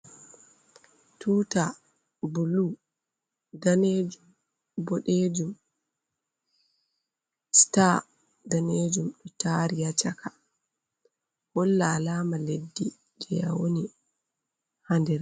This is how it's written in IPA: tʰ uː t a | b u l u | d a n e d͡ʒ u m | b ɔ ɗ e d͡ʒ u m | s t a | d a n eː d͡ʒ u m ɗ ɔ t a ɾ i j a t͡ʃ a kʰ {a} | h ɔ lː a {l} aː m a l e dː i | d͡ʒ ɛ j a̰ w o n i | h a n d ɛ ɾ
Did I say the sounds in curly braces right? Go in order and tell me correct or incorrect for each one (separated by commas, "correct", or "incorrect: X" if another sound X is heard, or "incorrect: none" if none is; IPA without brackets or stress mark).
correct, correct